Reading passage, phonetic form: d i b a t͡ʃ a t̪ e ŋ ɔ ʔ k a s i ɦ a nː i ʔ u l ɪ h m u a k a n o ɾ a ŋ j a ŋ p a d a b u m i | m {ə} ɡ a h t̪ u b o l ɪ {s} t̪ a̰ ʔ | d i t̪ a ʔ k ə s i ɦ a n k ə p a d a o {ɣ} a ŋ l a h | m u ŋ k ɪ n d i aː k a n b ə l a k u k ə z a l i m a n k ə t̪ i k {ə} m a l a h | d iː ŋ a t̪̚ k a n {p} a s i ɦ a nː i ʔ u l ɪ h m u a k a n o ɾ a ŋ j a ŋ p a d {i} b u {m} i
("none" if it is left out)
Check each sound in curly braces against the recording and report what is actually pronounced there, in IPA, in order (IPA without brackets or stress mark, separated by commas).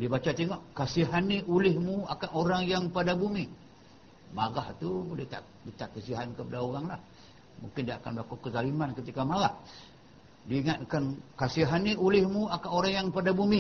a, h, ɣ, a, k, a, m